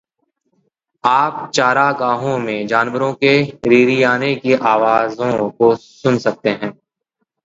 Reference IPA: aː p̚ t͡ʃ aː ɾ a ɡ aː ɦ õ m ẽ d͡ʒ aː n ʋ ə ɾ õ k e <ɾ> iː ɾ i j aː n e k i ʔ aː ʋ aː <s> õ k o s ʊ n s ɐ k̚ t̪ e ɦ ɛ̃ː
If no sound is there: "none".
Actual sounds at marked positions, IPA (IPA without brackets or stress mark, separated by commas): ɾ, z